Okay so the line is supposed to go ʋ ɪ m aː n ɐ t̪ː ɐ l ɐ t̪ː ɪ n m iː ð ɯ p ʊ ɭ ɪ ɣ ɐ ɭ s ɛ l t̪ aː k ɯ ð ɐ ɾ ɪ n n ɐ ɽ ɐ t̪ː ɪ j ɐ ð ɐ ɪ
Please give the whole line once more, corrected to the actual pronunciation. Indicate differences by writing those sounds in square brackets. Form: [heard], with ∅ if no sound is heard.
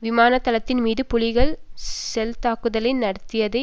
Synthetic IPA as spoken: ʋ ɪ m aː n ɐ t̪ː ɐ l ɐ t̪ː ɪ n m iː ð ɯ p ʊ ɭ ɪ ɣ ɐ ɭ s ɛ l t̪ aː k ɯ ð ɐ [l] ɪ n n ɐ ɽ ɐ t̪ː ɪ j ɐ ð ɐ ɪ